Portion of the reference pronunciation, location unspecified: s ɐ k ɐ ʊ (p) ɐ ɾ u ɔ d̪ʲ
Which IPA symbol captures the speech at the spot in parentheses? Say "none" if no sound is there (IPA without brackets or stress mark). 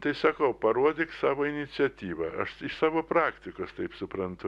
p